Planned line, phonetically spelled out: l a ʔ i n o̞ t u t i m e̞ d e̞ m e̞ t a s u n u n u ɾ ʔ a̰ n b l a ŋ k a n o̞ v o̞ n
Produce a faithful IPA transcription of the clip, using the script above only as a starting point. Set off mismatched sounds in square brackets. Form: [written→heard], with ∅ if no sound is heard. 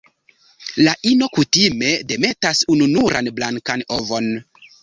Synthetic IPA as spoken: l a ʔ i n o̞ [t→k] u t i m e̞ d e̞ m e̞ t a s u n u n u ɾ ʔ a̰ n b l a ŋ k a n o̞ v o̞ n